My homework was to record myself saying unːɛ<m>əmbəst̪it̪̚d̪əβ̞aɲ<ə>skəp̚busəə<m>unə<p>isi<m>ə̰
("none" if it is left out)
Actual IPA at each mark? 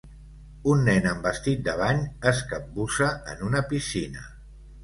n, ə, n, p, n

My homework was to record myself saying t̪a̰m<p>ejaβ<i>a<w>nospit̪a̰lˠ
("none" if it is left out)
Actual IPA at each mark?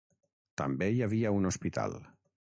b, i, u

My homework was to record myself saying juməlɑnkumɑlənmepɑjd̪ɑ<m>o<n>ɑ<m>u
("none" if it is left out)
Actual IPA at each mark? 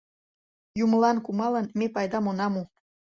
m, n, m

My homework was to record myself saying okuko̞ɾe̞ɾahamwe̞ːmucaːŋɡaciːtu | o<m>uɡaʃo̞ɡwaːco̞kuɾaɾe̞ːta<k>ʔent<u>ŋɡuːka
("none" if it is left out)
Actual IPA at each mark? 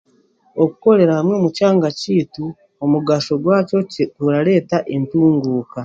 m, none, uː

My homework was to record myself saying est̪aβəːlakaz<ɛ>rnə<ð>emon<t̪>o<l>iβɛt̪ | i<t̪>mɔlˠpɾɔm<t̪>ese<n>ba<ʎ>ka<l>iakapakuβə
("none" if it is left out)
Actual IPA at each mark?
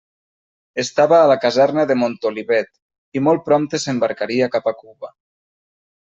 ɛ, ð, t̪, l, none, t̪, m, ɾ, ɾ

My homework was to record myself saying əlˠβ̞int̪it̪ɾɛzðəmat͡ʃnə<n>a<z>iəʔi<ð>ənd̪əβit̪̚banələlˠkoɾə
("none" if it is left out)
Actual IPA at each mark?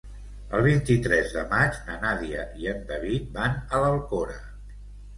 n, ð, none

